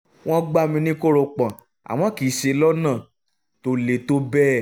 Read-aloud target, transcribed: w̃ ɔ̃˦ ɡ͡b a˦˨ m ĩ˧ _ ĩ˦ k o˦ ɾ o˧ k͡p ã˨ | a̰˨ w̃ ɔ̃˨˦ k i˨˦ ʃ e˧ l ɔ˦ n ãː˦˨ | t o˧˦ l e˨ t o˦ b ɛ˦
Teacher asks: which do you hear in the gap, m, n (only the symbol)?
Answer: n